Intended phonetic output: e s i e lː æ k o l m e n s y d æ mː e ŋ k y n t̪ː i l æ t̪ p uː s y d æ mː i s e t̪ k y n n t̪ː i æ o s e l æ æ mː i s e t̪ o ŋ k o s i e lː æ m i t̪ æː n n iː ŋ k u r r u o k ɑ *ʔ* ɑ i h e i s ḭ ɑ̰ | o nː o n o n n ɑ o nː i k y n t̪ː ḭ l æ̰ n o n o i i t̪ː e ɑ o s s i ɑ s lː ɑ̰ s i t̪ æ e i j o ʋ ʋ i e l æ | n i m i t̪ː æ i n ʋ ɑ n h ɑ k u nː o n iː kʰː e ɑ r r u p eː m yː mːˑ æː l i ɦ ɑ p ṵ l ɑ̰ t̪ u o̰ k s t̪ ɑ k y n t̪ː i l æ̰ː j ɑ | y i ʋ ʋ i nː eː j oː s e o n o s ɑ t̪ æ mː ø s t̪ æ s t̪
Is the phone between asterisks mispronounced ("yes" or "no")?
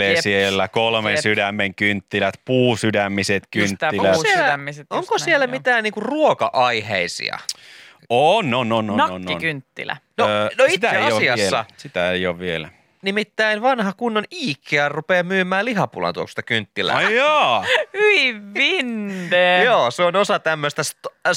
no